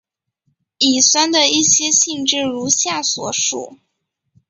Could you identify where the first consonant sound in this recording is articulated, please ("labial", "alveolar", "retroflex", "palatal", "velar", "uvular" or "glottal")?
alveolar